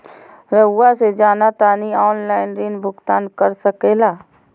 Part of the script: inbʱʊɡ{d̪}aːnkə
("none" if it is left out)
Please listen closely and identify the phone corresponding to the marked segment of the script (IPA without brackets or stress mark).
t̪